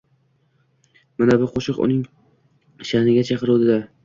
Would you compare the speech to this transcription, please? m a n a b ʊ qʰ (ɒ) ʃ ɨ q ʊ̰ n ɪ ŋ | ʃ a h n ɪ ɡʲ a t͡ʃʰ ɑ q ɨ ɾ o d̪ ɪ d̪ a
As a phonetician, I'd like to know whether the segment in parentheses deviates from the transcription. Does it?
yes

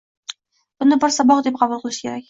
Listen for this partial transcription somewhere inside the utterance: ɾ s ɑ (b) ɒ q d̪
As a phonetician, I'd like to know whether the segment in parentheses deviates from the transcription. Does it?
no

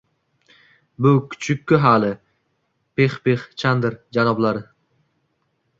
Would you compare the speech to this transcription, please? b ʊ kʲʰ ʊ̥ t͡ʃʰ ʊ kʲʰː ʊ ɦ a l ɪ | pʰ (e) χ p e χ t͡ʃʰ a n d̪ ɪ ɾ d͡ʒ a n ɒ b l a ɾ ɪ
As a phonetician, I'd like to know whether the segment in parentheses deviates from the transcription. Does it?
no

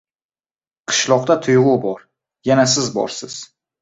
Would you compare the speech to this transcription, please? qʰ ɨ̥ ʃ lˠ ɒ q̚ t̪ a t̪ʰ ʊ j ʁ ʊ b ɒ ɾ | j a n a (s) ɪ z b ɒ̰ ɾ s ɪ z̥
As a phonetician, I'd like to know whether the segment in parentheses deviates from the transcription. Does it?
no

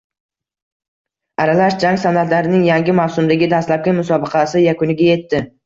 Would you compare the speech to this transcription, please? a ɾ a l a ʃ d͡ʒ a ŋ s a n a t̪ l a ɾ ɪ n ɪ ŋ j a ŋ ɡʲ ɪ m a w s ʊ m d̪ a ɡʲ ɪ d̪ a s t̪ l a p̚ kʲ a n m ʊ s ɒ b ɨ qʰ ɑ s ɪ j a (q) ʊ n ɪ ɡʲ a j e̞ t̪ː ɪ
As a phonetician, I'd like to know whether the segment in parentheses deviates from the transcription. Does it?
yes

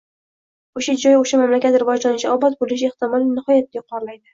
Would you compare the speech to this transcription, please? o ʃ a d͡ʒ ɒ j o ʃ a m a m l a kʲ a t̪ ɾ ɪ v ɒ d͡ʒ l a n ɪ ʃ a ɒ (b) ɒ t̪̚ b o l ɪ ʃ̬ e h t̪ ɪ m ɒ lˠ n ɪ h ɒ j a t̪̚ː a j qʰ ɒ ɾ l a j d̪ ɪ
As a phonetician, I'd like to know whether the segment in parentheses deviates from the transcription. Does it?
no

